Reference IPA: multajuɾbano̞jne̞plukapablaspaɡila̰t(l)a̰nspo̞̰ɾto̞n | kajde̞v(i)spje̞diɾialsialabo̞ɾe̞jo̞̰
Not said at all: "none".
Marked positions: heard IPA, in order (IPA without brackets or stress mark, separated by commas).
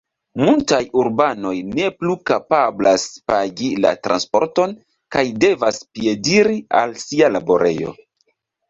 ɾ, a